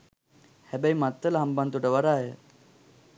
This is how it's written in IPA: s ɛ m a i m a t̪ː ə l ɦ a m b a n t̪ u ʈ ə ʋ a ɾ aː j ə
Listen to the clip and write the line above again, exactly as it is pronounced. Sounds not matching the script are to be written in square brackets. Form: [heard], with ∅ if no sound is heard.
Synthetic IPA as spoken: [h] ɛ [b] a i m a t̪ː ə l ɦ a m b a n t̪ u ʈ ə ʋ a ɾ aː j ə